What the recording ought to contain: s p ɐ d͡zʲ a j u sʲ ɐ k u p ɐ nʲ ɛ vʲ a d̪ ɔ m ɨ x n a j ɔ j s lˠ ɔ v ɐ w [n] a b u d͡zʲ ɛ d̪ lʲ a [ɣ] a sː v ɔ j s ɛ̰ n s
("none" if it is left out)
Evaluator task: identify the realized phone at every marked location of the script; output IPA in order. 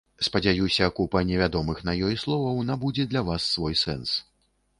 n, v

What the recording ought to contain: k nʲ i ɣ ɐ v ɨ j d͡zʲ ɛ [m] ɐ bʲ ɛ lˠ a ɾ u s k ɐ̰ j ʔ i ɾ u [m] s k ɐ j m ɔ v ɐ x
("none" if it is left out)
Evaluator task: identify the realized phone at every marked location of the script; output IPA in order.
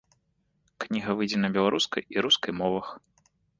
n, none

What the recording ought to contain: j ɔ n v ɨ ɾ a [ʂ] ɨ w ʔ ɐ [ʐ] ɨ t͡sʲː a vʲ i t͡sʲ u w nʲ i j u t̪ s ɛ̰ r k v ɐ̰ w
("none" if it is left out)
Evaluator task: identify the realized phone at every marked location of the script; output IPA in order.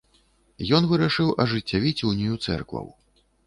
ʂ, ʐ

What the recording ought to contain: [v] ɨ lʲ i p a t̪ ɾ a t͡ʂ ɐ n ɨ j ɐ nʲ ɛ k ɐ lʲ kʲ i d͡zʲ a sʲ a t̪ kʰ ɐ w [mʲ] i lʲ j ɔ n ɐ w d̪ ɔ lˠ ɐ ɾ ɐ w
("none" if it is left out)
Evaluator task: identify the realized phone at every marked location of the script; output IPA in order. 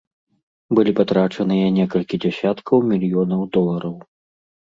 b, mʲ

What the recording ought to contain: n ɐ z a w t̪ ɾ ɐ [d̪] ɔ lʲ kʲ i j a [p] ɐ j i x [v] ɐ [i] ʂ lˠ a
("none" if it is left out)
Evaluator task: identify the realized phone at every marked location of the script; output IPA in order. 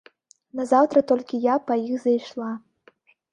t̪, p, z, j

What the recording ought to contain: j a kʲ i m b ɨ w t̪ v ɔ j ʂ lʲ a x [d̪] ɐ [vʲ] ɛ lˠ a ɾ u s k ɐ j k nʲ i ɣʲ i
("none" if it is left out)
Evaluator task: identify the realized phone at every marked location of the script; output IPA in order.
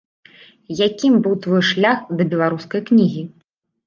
d̪, bʲ

